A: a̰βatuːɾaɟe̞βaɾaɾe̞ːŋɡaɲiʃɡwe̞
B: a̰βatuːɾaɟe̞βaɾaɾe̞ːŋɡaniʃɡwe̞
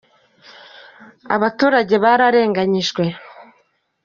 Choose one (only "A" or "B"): A